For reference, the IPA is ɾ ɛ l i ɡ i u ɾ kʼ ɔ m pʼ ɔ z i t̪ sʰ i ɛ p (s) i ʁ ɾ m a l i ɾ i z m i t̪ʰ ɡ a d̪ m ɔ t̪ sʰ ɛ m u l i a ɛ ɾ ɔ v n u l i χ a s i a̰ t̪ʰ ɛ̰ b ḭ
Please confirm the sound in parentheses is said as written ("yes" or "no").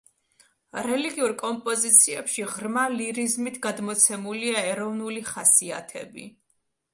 no